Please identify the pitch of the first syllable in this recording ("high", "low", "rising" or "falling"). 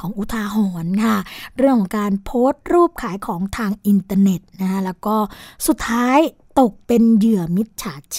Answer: rising